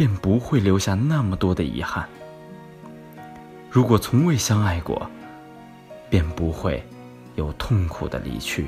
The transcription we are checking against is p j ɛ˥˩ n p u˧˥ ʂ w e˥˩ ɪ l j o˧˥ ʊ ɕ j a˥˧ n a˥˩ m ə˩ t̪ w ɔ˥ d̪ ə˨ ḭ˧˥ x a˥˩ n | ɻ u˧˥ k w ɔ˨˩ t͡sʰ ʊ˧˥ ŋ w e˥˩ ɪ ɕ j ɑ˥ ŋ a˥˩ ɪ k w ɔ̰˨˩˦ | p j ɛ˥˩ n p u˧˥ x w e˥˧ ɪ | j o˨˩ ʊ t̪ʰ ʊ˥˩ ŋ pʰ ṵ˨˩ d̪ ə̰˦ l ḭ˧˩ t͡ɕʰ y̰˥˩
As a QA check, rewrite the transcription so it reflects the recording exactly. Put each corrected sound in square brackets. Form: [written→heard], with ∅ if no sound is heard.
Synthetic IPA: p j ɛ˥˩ n p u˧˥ [ʂ→x] w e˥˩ ɪ l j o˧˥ ʊ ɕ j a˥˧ n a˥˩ m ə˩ t̪ w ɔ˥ d̪ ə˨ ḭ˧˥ x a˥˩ n | ɻ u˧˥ k w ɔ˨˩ t͡sʰ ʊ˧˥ ŋ w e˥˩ ɪ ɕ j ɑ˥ ŋ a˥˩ ɪ k w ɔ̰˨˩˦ | p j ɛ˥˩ n p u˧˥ x w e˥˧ ɪ | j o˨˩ ʊ t̪ʰ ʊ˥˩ ŋ [pʰ→kʰ] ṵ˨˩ d̪ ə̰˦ l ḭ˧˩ t͡ɕʰ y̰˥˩